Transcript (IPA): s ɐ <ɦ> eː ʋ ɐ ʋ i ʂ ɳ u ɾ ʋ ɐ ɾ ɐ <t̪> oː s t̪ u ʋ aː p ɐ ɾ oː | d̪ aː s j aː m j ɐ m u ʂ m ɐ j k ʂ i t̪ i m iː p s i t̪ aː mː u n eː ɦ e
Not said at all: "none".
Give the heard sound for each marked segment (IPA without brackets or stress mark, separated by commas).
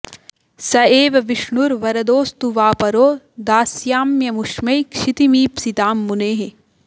none, d̪